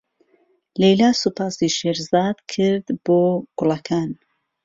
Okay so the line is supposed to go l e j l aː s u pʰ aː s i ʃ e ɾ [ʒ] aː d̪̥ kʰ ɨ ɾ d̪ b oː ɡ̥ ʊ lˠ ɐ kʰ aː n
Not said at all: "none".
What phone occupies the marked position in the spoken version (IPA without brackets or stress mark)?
z